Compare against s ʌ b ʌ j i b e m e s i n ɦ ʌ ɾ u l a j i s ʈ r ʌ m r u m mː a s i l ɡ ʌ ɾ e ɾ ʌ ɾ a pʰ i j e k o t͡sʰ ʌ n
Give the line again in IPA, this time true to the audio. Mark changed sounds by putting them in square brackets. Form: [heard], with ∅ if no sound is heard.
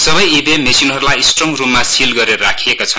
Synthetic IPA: s ʌ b ʌ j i b e m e s i n ɦ ʌ ɾ u l a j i s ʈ r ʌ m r u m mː a s i l ɡ ʌ ɾ e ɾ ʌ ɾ a [kʰ] i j e k o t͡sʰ ʌ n